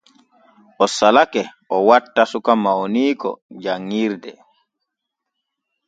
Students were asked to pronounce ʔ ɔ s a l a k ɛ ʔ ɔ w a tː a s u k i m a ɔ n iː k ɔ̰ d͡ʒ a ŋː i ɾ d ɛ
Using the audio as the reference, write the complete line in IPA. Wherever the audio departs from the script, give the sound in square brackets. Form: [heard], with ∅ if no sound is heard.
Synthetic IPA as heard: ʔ ɔ s a l a k ɛ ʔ ɔ w a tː a s u k [a] m a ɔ n iː k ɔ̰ d͡ʒ a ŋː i ɾ d ɛ